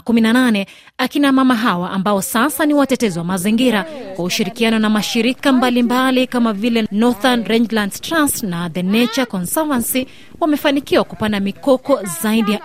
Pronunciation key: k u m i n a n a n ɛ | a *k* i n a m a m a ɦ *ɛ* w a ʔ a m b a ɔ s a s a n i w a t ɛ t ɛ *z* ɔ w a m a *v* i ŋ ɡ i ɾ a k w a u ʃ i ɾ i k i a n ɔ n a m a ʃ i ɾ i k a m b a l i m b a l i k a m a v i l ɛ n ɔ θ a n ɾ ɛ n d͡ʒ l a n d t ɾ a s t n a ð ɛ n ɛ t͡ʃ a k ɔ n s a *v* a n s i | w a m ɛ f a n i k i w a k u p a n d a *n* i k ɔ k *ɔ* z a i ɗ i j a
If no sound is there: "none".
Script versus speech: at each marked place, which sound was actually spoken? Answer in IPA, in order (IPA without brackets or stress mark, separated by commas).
k, a, z, z, v, m, ɔ